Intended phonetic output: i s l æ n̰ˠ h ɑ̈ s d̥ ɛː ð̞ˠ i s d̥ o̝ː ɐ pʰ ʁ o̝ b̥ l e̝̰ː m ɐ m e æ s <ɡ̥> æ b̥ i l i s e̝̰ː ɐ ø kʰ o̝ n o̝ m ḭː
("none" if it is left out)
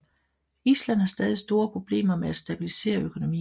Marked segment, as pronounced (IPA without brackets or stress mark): d̥